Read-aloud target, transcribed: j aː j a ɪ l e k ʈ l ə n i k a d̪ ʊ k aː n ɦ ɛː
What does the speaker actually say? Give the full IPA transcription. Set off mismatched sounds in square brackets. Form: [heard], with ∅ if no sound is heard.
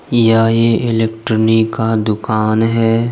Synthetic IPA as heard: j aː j [e] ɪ l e k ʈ [ɾ] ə n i k a d̪ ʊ k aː n ɦ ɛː